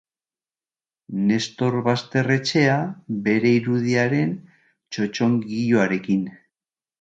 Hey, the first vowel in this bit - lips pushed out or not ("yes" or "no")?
no